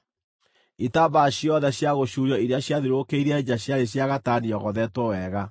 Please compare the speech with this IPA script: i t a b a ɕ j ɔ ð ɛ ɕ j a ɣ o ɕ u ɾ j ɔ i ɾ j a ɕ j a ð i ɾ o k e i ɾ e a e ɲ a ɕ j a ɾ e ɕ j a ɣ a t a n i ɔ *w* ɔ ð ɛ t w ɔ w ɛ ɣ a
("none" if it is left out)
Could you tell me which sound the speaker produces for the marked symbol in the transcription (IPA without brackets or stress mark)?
ɣ